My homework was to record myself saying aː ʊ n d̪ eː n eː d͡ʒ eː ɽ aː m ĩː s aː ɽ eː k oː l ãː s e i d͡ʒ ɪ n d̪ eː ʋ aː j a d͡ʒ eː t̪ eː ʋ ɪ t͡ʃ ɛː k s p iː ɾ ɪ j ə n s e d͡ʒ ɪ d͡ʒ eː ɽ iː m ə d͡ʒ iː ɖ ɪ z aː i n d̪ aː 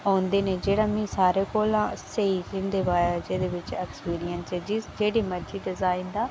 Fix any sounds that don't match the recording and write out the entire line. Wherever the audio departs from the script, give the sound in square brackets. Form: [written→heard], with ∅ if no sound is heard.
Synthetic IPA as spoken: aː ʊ n d̪ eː n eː d͡ʒ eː ɽ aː m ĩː s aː [ɽ→ɾ] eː k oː l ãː s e i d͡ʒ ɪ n d̪ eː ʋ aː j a d͡ʒ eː [t̪→d̪] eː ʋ ɪ t͡ʃ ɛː k s p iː ɾ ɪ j ə n s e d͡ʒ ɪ d͡ʒ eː ɽ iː m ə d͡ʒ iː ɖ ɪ z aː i n d̪ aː